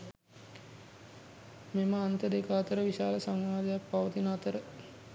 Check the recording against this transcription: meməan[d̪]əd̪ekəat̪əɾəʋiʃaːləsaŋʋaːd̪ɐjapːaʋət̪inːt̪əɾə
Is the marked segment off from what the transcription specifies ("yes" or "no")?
yes